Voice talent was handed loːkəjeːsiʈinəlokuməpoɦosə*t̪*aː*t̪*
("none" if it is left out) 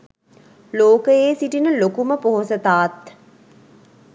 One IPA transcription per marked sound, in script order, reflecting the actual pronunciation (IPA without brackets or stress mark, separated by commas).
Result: t̪, t̪